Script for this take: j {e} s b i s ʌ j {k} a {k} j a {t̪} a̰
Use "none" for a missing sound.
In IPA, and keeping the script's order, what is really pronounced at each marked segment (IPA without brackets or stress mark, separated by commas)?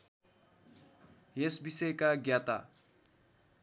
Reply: e, k, ɡ, t̪